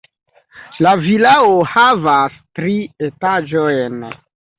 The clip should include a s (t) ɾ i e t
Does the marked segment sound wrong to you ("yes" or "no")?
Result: no